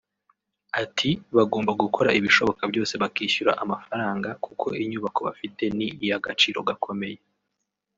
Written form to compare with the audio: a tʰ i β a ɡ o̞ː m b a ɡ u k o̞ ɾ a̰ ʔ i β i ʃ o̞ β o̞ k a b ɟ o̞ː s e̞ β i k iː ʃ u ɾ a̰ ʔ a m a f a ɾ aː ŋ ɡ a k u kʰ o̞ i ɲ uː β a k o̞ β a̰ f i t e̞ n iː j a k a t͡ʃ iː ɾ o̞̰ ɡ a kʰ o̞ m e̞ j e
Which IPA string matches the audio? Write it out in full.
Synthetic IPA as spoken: a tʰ i β a ɡ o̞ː m b a ɡ u k o̞ ɾ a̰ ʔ i β i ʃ o̞ β o̞ k a b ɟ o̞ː s e̞ β a k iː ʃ u ɾ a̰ ʔ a m a f a ɾ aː ŋ ɡ a k u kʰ o̞ i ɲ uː β a k o̞ β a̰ f i t e̞ n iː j a ɡ a t͡ʃ iː ɾ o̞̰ ɡ a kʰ o̞ m e̞ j e